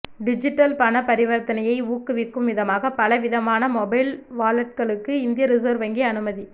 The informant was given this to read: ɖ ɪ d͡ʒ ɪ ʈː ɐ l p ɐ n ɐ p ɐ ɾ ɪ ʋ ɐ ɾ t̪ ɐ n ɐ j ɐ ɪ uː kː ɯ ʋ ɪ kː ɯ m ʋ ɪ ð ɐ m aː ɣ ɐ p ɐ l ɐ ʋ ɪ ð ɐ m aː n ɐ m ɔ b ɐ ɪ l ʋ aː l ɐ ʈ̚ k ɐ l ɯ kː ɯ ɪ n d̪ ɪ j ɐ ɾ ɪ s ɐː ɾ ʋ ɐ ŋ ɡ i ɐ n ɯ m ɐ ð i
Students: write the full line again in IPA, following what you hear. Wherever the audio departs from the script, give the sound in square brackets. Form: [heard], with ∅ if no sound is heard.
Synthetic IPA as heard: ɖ ɪ d͡ʒ ɪ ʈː ɐ l p ɐ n ɐ p ɐ ɾ ɪ ʋ ɐ ɾ t̪ ɐ n ɐ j ɐ ɪ uː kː ɯ ʋ ɪ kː ɯ m ʋ ɪ ð ɐ m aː ɣ ɐ p ɐ l ɐ ʋ ɪ ð ɐ m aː n ɐ m ɔ b ɐ ɪ l ʋ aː l ɐ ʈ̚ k ɐ [ɭ] ɯ kː ɯ ɪ n d̪ ɪ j ɐ ɾ ɪ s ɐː ɾ ʋ ɐ ŋ ɡ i ɐ n ɯ m ɐ ð i